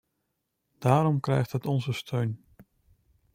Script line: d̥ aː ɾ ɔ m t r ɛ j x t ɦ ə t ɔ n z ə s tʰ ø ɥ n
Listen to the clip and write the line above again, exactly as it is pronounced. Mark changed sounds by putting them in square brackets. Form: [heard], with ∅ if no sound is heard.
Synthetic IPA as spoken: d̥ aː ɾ ɔ m [k] r ɛ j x t ɦ ə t ɔ n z ə s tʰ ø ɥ n